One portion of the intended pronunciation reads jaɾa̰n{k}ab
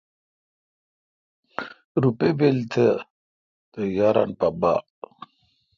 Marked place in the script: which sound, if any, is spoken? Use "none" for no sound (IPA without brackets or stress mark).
p